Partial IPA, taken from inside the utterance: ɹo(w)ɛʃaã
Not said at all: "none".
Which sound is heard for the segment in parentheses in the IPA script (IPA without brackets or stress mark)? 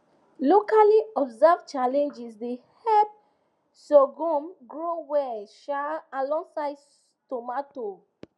w